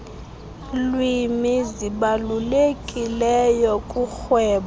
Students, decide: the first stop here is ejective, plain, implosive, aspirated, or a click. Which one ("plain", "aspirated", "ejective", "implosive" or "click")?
implosive